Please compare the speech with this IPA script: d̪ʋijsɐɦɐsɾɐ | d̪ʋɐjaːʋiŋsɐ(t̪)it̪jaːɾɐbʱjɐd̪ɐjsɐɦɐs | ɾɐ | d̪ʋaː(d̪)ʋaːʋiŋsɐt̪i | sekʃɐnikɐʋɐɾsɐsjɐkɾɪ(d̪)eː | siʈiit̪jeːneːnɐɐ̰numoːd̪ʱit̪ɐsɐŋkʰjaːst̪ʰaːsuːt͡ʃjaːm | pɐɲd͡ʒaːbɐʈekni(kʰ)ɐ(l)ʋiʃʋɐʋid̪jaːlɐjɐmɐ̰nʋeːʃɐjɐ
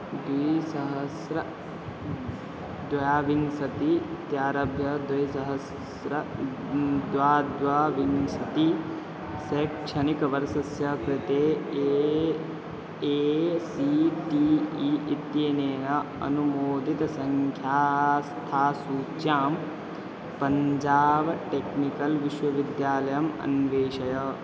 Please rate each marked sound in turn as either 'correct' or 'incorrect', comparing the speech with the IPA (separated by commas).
correct, correct, incorrect, incorrect, correct